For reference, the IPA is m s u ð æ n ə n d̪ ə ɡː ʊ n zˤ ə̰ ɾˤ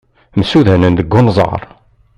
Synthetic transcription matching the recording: m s u ð æ n ə n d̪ ə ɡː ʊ n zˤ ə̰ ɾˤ